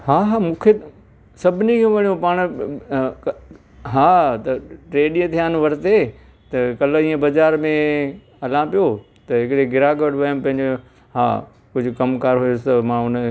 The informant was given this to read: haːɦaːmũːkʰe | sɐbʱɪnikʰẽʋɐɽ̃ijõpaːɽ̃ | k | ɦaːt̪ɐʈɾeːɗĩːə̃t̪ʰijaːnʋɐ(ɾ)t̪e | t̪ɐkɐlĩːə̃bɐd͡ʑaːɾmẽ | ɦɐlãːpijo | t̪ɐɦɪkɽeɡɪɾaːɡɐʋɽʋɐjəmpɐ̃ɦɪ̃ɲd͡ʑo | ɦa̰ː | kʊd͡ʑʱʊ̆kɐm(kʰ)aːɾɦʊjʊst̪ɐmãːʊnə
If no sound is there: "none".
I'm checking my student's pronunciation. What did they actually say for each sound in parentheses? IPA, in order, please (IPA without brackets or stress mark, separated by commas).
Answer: ɾ, k